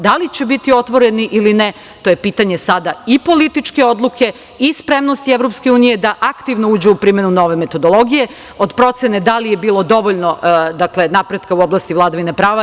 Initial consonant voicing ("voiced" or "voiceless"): voiced